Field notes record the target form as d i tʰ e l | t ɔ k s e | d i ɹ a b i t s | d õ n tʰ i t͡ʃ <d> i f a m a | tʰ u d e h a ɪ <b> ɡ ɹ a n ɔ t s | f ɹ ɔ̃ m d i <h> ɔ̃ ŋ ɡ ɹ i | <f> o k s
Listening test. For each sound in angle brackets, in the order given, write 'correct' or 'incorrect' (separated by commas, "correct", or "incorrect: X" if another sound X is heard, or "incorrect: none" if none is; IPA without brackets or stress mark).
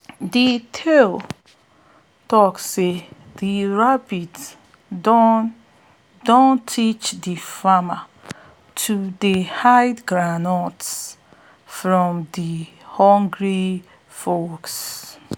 correct, incorrect: d, correct, correct